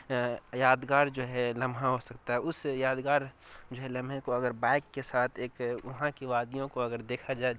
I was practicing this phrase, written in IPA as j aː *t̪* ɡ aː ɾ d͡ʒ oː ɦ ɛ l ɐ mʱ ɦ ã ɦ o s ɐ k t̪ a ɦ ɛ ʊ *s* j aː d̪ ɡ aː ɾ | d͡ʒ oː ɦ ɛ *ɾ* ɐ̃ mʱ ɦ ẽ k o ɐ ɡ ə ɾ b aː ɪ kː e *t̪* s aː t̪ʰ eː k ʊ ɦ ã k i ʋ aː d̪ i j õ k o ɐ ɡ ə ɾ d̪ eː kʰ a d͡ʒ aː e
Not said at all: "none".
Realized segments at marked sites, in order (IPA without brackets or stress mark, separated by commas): d̪, s, l, none